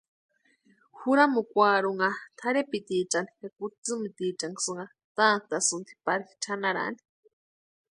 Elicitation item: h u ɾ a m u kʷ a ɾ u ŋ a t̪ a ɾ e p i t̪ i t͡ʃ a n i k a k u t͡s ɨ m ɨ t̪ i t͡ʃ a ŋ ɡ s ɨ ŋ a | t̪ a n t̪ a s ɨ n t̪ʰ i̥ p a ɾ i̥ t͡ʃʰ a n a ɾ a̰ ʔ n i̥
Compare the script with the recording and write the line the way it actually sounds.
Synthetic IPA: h u ɾ a m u kʷ a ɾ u ŋ a t̪ʰ a ɾ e p i t̪ i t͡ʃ a n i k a k u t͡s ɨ m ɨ t̪ i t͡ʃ a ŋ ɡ s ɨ ŋ a | t̪ a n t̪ a s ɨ n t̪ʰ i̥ p a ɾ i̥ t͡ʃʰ a n a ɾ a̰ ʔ n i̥